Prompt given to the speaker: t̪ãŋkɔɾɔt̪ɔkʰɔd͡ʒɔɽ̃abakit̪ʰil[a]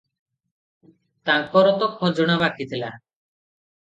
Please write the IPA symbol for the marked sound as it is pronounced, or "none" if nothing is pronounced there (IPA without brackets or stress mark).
a